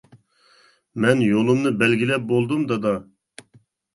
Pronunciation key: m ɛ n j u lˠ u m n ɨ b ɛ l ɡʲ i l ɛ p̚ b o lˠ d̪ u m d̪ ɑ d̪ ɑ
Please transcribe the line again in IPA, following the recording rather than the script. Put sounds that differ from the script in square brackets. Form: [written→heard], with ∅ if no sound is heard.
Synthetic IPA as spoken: m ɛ n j [u→o] lˠ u m n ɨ b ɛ l ɡʲ i l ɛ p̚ b o lˠ d̪ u m d̪ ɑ d̪ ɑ